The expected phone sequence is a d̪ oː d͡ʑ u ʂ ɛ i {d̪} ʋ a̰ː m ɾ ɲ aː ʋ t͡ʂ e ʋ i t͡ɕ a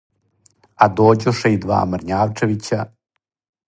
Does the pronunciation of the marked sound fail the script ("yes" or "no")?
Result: no